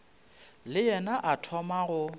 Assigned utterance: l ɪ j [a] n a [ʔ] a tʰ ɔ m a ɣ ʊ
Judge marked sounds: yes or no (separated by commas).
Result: no, yes